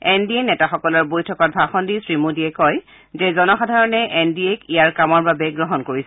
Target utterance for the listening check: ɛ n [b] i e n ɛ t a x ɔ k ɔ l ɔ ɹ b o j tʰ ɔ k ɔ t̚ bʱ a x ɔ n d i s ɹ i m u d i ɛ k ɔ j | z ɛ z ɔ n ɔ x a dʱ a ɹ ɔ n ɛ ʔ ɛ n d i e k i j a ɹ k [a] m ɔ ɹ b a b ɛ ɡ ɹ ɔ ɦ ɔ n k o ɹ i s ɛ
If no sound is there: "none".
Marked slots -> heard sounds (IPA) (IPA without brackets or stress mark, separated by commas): d, a